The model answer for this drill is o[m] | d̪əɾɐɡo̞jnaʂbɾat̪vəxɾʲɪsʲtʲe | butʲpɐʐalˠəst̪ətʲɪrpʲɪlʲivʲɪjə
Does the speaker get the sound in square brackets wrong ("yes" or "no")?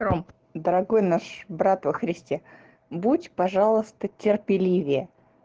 no